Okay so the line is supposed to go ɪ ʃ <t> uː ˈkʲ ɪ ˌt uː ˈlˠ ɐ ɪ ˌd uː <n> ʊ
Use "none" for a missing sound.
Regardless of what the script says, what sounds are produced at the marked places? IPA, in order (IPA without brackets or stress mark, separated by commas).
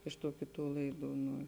t, n